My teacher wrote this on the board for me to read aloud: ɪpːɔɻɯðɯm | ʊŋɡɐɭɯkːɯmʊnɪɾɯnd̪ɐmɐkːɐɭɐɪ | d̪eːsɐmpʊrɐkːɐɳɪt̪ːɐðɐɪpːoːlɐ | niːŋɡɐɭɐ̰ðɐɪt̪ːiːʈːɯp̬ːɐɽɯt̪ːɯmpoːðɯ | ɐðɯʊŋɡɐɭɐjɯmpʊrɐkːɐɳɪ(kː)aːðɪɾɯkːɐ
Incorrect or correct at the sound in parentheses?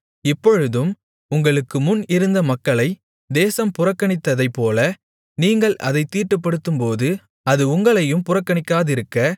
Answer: correct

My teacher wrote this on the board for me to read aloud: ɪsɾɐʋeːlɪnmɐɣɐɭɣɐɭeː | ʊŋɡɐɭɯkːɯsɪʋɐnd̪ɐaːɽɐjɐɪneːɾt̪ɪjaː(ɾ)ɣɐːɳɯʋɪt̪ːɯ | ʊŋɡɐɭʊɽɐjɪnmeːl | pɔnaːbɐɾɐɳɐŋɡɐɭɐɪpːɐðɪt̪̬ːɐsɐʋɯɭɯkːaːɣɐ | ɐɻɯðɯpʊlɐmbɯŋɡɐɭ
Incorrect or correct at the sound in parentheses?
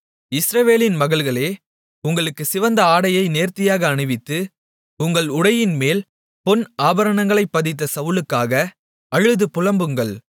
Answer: incorrect: none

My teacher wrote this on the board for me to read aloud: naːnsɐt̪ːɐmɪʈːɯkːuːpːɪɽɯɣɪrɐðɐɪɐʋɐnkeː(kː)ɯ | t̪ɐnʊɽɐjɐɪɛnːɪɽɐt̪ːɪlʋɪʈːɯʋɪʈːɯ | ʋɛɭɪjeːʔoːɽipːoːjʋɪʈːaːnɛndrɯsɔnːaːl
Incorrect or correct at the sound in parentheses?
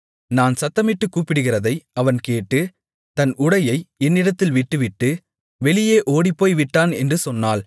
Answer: incorrect: ʈː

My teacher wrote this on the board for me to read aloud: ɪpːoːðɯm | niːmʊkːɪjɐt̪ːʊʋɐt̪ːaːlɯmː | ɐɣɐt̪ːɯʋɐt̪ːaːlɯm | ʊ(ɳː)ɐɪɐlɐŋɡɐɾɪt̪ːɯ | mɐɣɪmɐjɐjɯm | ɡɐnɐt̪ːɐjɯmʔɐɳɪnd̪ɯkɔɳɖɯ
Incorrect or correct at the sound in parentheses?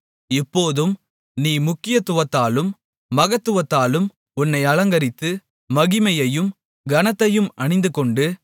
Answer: incorrect: nː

